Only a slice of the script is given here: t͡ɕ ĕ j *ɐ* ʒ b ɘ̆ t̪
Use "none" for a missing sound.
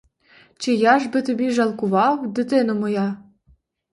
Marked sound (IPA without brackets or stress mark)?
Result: ɑ